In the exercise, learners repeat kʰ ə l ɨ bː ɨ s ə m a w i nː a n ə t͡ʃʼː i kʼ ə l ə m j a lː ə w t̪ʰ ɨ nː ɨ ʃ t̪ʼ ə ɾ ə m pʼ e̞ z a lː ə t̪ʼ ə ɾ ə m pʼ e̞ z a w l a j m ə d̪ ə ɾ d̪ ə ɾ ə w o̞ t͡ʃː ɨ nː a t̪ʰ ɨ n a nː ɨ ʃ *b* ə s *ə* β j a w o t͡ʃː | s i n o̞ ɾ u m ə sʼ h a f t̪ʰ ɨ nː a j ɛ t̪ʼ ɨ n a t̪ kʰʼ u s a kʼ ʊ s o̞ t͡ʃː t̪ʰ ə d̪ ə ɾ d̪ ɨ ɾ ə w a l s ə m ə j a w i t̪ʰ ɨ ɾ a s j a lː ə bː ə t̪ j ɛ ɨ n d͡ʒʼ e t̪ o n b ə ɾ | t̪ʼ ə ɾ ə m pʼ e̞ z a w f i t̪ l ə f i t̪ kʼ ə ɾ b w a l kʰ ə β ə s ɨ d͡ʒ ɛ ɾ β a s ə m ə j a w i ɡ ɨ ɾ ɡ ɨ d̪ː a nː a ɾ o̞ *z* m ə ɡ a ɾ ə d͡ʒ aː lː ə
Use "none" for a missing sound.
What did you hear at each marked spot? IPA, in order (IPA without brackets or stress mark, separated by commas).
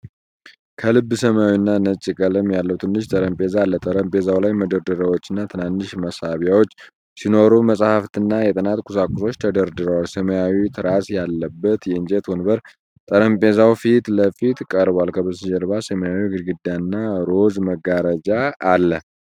m, a, z